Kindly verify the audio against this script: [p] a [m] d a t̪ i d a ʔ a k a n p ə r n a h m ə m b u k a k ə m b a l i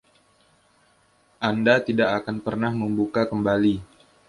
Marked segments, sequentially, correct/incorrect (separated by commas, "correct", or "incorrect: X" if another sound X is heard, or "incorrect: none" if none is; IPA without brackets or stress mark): incorrect: ʔ, incorrect: n